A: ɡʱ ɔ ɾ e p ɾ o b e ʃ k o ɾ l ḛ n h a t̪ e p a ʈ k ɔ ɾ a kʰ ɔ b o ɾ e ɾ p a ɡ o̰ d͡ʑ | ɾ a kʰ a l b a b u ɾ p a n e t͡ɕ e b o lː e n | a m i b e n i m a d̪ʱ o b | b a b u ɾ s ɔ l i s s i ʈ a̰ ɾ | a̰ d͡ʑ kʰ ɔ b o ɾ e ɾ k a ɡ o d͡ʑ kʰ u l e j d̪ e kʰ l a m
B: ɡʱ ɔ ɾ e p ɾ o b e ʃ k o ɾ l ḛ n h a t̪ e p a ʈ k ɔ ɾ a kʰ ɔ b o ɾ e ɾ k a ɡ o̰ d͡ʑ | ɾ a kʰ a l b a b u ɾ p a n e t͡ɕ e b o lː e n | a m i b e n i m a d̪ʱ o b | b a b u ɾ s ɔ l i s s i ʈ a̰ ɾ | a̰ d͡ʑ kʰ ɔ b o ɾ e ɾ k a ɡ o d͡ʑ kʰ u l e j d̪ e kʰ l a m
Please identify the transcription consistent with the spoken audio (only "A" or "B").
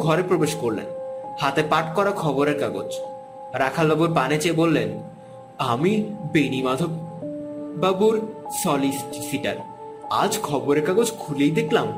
B